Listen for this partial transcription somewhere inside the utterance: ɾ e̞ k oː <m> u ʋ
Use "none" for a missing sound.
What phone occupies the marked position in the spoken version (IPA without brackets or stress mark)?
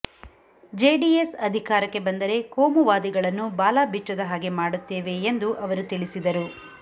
m